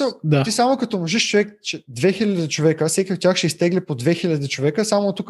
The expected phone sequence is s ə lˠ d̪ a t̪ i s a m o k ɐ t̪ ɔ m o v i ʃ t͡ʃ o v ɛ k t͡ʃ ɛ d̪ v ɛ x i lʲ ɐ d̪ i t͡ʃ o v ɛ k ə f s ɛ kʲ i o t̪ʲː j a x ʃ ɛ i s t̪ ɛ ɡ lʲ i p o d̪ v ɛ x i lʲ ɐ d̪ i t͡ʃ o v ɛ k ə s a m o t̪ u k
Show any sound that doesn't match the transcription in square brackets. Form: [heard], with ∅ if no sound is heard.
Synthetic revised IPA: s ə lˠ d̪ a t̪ i s a m o k ɐ t̪ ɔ m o [ʒ] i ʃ t͡ʃ o v ɛ k t͡ʃ ɛ d̪ v ɛ x i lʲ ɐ d̪ i t͡ʃ o v ɛ k ə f s ɛ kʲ i o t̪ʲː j a x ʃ ɛ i s t̪ ɛ ɡ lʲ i p o d̪ v ɛ x i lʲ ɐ d̪ i t͡ʃ o v ɛ k ə s a m o t̪ u k